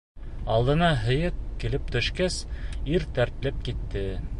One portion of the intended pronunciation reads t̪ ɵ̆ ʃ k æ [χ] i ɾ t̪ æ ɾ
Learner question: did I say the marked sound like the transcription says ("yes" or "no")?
no